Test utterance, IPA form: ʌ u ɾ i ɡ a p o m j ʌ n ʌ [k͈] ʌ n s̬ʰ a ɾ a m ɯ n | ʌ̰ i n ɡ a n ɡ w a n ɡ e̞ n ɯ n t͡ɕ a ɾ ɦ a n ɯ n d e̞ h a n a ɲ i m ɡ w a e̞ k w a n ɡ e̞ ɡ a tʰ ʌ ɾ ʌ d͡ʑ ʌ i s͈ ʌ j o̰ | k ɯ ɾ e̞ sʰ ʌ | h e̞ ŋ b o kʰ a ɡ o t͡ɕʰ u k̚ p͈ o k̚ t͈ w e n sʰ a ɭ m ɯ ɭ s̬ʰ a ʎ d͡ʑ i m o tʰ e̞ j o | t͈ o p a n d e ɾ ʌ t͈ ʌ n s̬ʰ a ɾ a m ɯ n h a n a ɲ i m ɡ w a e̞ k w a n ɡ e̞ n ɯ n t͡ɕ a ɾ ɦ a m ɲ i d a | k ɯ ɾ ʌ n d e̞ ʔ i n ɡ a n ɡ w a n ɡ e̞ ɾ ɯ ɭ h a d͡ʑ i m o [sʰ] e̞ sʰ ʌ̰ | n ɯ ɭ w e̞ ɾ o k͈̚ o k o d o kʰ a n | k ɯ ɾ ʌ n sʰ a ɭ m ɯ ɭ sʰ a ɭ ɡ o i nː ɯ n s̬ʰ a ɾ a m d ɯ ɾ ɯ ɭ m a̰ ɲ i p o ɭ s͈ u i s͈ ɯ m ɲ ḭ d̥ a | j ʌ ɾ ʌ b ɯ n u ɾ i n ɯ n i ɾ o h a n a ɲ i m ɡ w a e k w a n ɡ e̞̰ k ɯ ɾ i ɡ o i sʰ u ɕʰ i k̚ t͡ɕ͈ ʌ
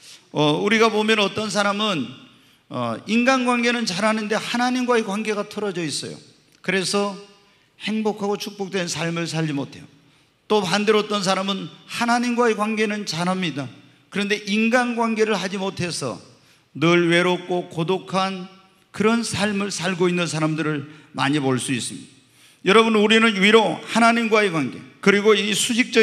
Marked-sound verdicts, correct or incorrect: incorrect: t͈, incorrect: tʰ

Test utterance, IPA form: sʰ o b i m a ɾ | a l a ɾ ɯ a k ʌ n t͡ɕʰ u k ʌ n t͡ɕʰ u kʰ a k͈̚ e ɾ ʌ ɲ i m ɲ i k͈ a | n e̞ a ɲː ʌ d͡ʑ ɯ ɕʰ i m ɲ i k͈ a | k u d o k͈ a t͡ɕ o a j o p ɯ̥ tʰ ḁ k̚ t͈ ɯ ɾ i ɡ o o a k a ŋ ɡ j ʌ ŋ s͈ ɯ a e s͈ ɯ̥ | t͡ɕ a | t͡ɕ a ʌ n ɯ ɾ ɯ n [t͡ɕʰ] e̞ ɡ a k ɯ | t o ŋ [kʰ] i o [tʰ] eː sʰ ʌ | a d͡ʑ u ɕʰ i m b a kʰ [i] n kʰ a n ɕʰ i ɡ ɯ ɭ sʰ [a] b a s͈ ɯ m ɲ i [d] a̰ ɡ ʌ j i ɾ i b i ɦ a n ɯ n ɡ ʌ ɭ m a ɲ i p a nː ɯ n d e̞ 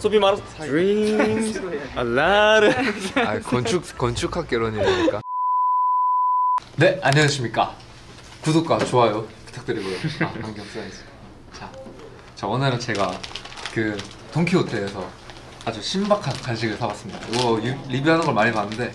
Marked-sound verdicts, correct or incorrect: incorrect: t͡ɕ, correct, correct, incorrect: a, correct, correct

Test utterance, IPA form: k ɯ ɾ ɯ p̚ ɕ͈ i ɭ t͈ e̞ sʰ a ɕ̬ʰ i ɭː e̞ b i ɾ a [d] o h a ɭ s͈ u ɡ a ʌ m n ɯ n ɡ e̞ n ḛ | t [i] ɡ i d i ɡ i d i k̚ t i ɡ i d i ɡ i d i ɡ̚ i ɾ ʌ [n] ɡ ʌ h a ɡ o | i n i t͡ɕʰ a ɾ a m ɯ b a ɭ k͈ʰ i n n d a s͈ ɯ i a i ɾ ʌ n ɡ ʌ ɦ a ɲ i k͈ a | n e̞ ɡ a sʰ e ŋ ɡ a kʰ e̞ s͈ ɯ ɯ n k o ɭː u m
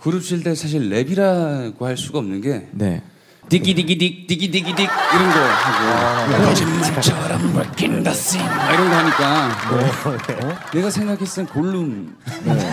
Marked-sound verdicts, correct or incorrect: incorrect: ɡ, correct, correct

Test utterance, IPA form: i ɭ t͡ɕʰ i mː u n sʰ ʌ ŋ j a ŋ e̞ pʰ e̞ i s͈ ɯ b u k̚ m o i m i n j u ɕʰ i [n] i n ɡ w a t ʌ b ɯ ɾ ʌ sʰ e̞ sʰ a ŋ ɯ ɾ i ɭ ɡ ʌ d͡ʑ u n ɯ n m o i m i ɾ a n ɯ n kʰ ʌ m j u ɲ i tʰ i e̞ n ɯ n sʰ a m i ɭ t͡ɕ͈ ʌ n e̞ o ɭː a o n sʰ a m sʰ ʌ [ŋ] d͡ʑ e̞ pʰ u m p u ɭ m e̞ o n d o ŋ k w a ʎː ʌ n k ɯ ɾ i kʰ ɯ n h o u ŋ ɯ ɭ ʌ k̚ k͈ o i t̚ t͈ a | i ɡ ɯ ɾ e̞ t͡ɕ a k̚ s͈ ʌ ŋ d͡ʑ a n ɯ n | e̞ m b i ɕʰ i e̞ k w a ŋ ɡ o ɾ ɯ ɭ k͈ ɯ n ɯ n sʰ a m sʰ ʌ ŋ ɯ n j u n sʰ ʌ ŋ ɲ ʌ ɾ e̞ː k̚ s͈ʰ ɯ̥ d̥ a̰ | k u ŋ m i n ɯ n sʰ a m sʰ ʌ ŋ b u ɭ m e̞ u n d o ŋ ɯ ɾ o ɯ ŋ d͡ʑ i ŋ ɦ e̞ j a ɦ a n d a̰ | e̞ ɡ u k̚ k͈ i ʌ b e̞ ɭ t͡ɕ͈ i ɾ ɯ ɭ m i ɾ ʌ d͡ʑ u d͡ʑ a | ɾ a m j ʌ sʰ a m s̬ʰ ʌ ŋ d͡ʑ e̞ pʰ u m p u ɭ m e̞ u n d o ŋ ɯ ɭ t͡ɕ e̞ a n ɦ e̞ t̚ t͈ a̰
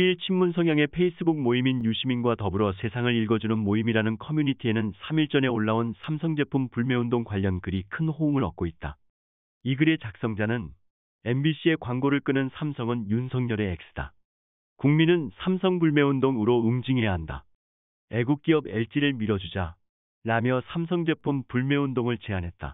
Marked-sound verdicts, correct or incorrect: incorrect: m, correct

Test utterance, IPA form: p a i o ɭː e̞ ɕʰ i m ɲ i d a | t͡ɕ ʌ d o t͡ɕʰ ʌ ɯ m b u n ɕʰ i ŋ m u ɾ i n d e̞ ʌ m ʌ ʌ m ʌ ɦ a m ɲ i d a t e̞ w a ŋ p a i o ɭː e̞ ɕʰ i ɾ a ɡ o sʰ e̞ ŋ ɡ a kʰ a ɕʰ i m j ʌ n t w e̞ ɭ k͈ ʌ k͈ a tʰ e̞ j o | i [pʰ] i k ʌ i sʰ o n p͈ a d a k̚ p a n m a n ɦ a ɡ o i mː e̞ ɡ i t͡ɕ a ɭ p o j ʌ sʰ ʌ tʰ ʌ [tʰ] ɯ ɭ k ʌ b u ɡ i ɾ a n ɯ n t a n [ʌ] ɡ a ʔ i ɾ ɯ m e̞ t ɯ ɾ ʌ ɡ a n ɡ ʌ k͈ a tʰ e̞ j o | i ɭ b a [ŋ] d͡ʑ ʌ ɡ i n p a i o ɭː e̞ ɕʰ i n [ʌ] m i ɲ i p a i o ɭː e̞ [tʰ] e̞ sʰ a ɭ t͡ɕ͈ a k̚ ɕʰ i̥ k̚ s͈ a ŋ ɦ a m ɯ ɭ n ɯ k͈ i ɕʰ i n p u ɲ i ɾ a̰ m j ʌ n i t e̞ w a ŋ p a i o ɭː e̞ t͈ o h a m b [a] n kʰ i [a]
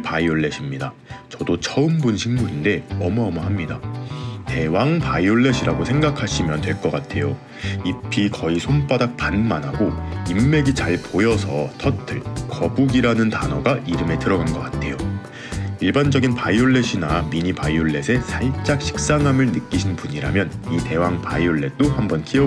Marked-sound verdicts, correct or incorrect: correct, correct, correct, incorrect: n, incorrect: a, incorrect: sʰ, incorrect: ʌ, incorrect: ʌ

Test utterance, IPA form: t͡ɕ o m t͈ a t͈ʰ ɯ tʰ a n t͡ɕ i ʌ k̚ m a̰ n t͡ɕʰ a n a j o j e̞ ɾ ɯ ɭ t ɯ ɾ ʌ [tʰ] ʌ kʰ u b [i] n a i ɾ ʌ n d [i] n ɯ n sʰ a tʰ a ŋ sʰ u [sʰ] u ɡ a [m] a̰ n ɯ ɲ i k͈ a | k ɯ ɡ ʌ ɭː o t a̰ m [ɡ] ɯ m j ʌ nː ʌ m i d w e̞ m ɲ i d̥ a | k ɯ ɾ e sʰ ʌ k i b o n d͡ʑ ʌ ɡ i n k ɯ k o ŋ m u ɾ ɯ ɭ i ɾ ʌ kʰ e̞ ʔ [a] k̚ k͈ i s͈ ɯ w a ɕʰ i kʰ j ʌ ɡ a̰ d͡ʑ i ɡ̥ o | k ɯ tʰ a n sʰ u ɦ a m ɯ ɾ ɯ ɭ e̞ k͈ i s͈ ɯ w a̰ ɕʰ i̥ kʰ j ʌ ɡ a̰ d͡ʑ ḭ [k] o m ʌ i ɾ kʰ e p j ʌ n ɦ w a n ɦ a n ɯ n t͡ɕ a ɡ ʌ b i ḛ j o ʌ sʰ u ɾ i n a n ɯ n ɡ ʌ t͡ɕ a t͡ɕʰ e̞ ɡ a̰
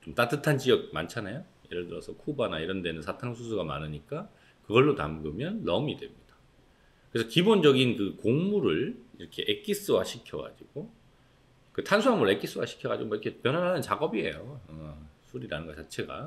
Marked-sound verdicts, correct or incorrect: incorrect: sʰ, incorrect: a, incorrect: e, correct, correct, correct, incorrect: e, incorrect: ɡ

